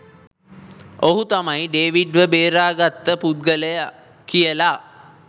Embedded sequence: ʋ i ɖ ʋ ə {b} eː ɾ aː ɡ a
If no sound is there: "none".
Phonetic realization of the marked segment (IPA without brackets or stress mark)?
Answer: b